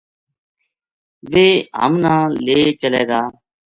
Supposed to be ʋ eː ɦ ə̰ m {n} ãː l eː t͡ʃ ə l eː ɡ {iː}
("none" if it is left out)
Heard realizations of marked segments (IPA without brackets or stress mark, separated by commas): n, aː